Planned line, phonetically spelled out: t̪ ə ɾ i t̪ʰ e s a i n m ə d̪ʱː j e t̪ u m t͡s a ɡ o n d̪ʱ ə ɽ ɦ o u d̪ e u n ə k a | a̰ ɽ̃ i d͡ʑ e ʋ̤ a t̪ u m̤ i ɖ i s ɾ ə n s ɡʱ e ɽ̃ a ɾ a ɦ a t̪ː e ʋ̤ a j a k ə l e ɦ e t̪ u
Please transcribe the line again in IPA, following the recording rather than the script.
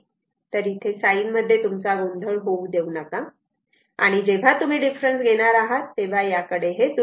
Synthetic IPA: t̪ ə ɾ i t̪ʰ e s a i n m ə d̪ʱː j e t̪ u m t͡s a ɡ o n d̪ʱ ə ɭ ɦ o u d̪ e u n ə k a | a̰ ɽ̃ i d͡ʑ e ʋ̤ a t̪ u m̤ i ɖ i f ɾ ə n s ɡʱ e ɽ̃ a ɾ a ɦ a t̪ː e ʋ̤ a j a k ə ɽ e ɦ e t̪ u